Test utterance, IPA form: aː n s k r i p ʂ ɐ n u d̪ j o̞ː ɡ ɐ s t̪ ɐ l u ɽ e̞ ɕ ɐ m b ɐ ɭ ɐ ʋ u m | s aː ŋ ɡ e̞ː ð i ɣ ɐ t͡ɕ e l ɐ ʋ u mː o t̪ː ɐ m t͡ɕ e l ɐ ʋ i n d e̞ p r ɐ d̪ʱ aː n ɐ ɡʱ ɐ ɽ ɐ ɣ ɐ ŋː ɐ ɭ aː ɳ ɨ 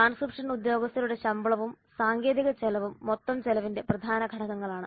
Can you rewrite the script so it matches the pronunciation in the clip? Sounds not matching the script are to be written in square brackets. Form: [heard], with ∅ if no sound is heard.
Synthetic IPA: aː n s k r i p ʂ ɐ n u d̪ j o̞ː ɡ ɐ s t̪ ɐ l u ɽ e̞ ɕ ɐ m b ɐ ɭ ɐ ʋ u m | s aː ŋ ɡ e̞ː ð i ɣ ɐ t͡ɕ e l ɐ ʋ u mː o t̪ː ɐ m t͡ɕ e l ɐ ʋ i n d e̞ p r ɐ d̪ʱ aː n ɐ ɡʱ ɐ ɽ ɐ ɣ ɐ ŋː ɐ ɭ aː ɳ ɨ